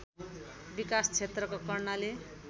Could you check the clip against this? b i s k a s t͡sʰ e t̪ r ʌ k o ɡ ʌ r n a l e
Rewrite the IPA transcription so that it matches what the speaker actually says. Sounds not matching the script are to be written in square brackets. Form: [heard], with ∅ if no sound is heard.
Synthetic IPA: b i [∅] k a s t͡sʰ e t̪ r ʌ k o [k] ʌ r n a l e